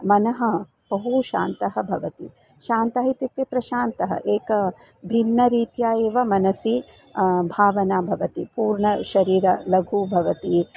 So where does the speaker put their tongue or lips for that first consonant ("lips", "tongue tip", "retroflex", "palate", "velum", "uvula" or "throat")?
lips